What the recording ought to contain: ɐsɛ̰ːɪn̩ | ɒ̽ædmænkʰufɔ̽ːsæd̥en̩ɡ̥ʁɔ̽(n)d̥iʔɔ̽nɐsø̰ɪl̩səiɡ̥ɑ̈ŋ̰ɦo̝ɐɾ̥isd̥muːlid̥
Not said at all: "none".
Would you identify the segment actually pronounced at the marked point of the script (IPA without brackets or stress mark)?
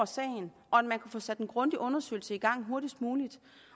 n